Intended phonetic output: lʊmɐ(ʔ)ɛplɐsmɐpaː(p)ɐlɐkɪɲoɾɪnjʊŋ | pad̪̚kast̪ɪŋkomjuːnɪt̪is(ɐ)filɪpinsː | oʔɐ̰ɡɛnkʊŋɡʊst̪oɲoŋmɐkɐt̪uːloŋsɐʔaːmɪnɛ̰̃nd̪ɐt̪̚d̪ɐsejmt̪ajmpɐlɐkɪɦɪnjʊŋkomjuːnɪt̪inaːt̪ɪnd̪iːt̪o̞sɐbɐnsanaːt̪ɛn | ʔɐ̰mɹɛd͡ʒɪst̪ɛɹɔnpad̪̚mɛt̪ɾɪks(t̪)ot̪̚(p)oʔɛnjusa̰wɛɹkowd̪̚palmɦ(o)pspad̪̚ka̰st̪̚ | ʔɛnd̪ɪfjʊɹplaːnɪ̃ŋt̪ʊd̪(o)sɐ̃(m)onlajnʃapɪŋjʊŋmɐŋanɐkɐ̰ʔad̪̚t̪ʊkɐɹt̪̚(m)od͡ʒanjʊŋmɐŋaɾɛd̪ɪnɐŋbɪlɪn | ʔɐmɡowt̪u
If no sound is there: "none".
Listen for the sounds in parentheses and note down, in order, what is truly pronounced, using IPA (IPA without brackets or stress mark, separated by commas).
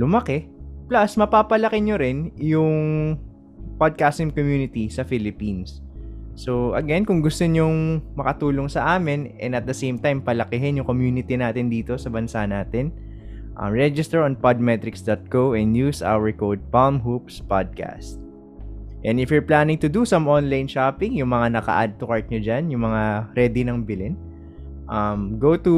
k, p, ɐ, d̪, k, u, u, m, ɲ